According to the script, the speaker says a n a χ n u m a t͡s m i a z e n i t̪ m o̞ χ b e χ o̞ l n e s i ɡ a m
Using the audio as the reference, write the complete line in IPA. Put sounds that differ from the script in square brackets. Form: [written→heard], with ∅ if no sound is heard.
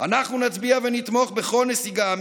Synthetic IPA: a n a χ n u [m→n] a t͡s [m→b] i a [z→v] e n i t̪ m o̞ χ b e χ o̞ l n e s i ɡ a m

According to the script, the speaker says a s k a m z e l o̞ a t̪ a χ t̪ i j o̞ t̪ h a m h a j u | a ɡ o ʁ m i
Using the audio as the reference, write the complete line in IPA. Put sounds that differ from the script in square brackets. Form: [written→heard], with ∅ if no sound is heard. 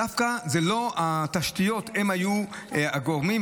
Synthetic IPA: a [s→f] k a [m→∅] z e l o̞ a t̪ a [χ→ʃ] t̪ i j o̞ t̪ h [a→e] m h a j u | a ɡ o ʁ m i

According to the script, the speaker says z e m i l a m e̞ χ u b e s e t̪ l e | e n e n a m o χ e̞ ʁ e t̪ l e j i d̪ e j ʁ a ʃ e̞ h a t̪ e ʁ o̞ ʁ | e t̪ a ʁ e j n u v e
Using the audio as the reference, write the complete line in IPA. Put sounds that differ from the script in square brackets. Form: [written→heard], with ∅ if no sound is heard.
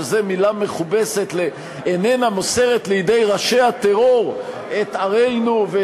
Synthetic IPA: z e m i l a m e̞ χ u b e s e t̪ l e | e n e n a m o [χ→s] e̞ ʁ e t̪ l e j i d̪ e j ʁ a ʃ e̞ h a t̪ e ʁ o̞ ʁ | e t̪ a ʁ e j n u v e

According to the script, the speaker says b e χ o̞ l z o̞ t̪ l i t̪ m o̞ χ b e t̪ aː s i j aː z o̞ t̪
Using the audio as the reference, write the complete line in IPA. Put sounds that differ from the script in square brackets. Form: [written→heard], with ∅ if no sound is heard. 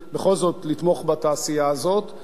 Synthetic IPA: b e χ o̞ l z o̞ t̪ l i t̪ m o̞ χ b [e→a] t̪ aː s i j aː z o̞ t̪

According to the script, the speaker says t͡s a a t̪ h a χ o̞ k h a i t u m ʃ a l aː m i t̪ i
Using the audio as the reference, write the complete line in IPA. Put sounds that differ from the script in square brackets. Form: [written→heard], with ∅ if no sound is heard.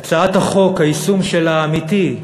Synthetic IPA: t͡s a a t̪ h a χ o̞ k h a i [t→s] u m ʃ [a→e] l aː m i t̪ i

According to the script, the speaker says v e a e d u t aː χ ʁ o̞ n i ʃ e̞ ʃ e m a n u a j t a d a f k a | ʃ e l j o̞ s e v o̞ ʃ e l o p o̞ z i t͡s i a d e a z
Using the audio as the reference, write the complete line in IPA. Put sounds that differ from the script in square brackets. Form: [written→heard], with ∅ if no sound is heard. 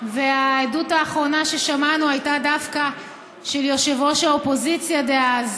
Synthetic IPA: v e a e d u t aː χ ʁ o̞ n [i→a] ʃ e̞ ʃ [e→a] m a n u a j t a d a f k a | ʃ e l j o̞ [s→ʃ] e v o̞ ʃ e l o p o̞ z i t͡s [i→j] a d e a z

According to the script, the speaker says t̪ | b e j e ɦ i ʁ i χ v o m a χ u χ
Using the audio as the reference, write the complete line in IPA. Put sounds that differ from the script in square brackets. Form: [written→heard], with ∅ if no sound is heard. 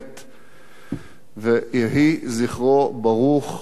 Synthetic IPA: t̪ | [b→v] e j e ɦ i [ʁ→z] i χ [v→ʁ] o [m→b] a [χ→ʁ] u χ

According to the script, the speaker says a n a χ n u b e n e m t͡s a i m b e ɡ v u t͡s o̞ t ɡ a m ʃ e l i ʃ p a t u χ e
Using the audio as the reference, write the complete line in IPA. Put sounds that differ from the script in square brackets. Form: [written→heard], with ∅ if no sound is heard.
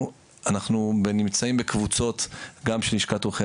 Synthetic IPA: a n a χ n u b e n [e→i] m t͡s a i m b e [ɡ→k] v u t͡s o̞ t ɡ a m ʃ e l i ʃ [p→k] a t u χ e

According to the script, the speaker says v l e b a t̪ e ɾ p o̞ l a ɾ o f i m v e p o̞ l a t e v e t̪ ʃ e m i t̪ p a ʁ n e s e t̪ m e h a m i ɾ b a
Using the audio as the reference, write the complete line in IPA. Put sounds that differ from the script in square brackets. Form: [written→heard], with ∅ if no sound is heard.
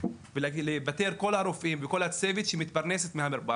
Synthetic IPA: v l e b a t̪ e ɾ [p→k] o̞ l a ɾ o f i m v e [p→k] o̞ l a [t→t͡s] e v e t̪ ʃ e m i t̪ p a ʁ n e s e t̪ m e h a m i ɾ b a

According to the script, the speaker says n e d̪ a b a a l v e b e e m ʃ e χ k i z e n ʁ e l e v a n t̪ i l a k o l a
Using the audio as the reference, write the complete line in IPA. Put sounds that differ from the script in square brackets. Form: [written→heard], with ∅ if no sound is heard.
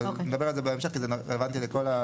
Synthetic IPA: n e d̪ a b [a→e] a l [v→z] e b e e m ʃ e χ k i z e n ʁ e l e v a n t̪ i l [a→e] k o l a

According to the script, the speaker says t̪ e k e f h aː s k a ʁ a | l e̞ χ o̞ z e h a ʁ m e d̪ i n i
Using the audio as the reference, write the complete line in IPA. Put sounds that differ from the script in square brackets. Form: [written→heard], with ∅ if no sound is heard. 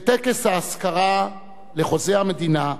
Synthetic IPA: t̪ e k e [f→s] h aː s k a ʁ a | l e̞ χ o̞ z e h a [ʁ→∅] m e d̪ i n [i→a]

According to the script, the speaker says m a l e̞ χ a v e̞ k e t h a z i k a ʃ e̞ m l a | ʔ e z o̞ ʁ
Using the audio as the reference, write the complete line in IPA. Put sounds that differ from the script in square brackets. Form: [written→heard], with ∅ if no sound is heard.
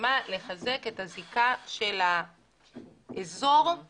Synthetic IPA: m a l e̞ χ a [v→z] e̞ k e t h a z i k a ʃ e̞ [m→∅] l a | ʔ e z o̞ ʁ

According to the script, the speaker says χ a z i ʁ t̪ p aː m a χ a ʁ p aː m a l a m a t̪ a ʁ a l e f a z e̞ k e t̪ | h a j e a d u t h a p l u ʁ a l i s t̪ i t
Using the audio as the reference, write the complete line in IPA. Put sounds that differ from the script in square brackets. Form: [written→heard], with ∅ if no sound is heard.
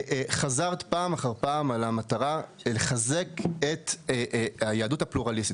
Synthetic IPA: χ a z [i→a] ʁ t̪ p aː m a χ a ʁ p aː m a l a m a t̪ a ʁ a l e [f→χ] a z e̞ k e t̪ | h a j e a d u t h a p l u ʁ a l i s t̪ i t

